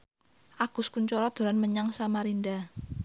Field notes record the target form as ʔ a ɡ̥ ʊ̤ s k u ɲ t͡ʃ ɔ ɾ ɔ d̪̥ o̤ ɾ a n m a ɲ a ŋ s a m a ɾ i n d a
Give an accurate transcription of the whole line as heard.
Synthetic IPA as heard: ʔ a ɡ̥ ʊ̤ s k u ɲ t͡ʃ ɔ ɾ ɔ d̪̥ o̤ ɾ a n m ə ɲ a ŋ s a m a ɾ i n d a